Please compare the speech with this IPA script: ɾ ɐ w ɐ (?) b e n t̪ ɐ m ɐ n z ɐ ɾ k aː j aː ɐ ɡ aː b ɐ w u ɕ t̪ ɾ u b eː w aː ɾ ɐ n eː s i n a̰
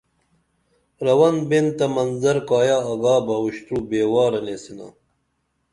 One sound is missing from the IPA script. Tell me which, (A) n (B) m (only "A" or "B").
A